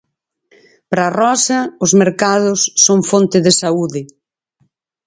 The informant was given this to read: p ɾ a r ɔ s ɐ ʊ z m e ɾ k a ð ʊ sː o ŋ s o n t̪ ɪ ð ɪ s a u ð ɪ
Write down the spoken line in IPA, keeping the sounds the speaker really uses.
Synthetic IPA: p ɾ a r ɔ s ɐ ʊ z m e ɾ k a ð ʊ sː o ŋ f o n t̪ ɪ ð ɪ s a u ð ɪ